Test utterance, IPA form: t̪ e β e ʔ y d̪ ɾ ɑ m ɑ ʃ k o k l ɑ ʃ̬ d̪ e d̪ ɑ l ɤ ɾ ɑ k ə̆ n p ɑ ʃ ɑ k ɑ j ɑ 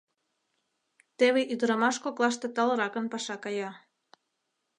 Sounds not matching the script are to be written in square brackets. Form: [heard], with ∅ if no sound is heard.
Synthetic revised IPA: t̪ e β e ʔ y d̪ ɾ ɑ m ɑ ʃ k o k l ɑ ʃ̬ [t̪] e [t̪] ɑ l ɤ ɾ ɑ k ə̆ n p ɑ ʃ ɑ k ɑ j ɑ

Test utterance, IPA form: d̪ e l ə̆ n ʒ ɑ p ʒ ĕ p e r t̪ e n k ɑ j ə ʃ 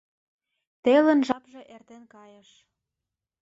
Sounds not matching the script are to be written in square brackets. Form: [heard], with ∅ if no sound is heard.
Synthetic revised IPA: [t̪] e l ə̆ n ʒ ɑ p ʒ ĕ [ʔ] e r t̪ e n k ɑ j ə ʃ

